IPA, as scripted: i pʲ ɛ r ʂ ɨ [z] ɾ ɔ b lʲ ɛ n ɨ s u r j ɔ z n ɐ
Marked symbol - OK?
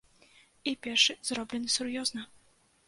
yes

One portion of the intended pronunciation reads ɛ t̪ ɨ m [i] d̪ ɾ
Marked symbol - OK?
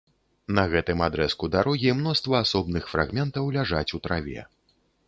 no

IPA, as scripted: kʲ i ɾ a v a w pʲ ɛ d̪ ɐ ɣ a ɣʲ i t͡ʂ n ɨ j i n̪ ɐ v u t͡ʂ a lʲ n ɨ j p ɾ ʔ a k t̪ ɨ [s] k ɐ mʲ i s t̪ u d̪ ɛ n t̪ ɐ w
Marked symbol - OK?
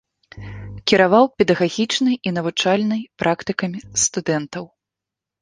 no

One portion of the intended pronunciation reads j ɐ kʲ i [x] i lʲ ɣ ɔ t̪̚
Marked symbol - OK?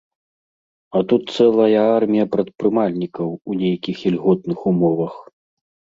yes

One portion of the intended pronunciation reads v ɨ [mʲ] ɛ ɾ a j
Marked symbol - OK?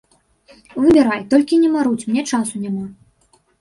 no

